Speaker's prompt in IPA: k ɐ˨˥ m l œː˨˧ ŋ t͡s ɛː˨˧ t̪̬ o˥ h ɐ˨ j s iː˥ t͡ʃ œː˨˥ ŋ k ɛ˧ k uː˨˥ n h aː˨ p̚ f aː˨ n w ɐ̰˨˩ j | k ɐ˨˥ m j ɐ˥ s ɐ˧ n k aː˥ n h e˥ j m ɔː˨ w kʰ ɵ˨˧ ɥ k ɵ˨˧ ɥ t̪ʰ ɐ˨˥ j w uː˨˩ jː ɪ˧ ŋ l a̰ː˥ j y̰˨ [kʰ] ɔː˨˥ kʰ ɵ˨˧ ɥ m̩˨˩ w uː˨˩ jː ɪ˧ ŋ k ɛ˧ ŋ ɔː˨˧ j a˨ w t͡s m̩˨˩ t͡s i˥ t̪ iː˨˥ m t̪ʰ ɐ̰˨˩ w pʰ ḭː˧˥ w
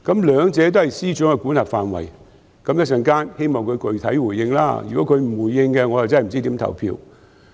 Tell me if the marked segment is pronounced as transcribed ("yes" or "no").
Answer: no